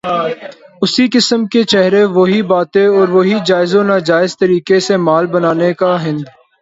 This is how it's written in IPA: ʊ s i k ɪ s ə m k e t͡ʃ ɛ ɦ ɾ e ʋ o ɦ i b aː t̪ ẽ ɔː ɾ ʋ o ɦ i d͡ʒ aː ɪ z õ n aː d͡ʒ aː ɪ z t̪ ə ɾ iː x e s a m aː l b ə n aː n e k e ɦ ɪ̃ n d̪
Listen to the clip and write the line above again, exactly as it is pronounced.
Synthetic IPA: ʊ s i k ɪ s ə m k e t͡ʃ ɛ ɦ ɾ e ʋ o ɦ i b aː t̪ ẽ ɔː ɾ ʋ o ɦ i d͡ʒ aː ɪ z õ n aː d͡ʒ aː ɪ z t̪ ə ɾ iː k e s e m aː l b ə n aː n e k a ɦ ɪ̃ n d̪